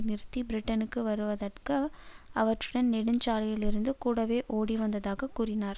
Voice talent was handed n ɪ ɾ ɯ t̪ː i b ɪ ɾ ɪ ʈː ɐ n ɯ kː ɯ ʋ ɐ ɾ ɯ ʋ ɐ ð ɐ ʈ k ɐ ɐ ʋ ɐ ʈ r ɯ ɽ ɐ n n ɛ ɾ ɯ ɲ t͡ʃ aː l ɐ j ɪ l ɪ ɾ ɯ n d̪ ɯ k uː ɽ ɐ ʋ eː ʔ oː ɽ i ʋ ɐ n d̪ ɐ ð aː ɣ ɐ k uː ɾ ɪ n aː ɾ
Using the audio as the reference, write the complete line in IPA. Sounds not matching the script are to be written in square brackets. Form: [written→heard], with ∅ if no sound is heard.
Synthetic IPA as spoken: n ɪ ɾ ɯ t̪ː i b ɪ ɾ ɪ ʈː ɐ n ɯ kː ɯ ʋ ɐ ɾ ɯ ʋ ɐ ð ɐ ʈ k ɐ ɐ ʋ ɐ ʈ r ɯ ɽ ɐ n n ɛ [ɾ→ɽ] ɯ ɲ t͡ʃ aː l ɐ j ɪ l ɪ ɾ ɯ n d̪ ɯ k uː ɽ ɐ ʋ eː ʔ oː ɽ i ʋ ɐ n d̪ ɐ ð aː ɣ ɐ k uː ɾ ɪ n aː ɾ